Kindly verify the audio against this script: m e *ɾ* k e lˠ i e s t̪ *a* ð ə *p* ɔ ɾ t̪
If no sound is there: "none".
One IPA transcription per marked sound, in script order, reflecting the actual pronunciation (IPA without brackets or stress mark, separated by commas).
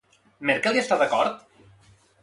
ɾ, a, k